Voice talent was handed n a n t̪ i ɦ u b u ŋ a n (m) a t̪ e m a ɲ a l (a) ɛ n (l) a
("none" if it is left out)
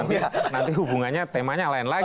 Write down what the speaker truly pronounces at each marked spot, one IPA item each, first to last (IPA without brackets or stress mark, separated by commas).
ɲ, a, l